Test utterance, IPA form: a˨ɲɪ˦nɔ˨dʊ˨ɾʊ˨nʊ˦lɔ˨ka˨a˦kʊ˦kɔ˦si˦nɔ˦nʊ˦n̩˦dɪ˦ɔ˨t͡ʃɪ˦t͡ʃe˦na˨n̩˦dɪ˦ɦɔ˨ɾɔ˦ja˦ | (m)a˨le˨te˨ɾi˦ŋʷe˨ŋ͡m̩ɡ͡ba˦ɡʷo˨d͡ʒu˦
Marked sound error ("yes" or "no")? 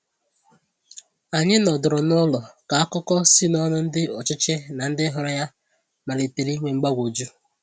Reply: no